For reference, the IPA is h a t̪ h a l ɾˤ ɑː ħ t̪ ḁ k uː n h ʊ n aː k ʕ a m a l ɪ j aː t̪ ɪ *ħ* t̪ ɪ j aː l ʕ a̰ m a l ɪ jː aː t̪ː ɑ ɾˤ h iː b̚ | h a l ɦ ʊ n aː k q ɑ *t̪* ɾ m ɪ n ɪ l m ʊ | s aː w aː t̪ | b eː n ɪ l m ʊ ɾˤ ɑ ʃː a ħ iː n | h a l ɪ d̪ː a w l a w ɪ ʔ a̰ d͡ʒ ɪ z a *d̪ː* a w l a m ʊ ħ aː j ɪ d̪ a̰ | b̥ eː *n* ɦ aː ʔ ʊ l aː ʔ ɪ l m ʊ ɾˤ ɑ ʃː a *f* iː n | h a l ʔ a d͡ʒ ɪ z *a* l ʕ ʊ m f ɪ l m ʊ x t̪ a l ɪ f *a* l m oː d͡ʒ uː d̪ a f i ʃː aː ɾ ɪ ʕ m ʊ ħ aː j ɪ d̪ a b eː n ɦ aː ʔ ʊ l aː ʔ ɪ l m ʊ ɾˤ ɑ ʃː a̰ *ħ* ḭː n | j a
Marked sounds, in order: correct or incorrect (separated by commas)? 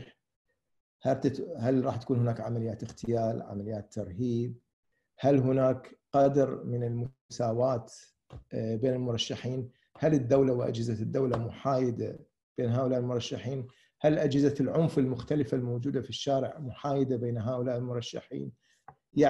incorrect, incorrect, correct, correct, incorrect, correct, correct, correct